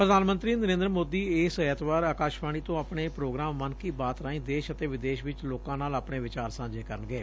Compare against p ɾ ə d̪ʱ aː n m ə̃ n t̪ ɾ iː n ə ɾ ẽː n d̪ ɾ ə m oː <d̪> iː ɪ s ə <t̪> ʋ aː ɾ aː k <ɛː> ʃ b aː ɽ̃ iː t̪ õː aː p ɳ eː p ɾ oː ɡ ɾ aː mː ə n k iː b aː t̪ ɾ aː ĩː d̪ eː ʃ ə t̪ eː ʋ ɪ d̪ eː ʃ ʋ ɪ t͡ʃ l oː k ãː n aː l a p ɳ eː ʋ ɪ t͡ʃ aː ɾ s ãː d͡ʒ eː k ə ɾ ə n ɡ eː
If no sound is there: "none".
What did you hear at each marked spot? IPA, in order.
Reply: d̪, t̪, aː

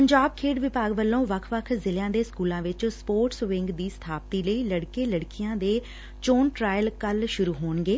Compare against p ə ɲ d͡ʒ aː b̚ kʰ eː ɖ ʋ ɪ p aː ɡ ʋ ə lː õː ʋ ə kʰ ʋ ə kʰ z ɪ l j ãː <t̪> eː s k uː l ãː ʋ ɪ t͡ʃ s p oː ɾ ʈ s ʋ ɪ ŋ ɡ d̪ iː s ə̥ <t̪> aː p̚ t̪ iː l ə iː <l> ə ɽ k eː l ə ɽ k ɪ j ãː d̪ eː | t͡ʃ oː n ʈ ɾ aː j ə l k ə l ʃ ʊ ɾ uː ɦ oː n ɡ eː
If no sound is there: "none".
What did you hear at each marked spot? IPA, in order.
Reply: d̪, t̪ʰ, l

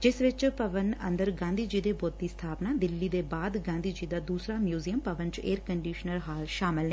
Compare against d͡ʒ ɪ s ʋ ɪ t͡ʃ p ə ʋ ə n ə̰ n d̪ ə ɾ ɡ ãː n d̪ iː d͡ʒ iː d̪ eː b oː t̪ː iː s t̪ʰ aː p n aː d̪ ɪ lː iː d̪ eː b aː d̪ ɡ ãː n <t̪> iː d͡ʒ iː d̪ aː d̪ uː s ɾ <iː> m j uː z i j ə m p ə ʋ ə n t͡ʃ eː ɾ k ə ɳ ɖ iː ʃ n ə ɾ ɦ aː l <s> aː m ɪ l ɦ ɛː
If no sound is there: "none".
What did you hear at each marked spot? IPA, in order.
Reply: d̪, aː, ʃ

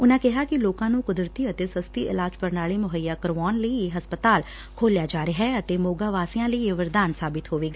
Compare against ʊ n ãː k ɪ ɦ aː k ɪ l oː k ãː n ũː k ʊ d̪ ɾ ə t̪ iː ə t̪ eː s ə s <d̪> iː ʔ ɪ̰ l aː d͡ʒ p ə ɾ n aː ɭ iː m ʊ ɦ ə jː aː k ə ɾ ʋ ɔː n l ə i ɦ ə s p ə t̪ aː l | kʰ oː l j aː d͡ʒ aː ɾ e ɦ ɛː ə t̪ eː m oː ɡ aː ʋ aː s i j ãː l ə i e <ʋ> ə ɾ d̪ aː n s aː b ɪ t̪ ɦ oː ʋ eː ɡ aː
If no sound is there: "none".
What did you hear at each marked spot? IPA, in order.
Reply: t̪, ʋ

